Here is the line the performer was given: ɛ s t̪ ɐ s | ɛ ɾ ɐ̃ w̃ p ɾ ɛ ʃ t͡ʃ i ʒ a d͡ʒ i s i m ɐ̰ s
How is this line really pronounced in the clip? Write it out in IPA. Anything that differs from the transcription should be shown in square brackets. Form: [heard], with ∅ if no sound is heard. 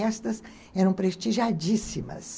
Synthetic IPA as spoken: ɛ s t̪ ɐ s | ɛ ɾ ɐ̃ w̃ p ɾ [e] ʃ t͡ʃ i ʒ a d͡ʒ i s i m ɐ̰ s